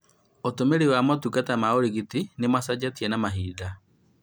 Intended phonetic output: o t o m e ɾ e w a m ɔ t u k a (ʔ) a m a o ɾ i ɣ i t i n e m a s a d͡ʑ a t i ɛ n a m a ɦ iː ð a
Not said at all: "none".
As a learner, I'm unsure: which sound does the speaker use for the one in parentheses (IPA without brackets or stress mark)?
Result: t